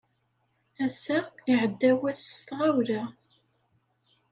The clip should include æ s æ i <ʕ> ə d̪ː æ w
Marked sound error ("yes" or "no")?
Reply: no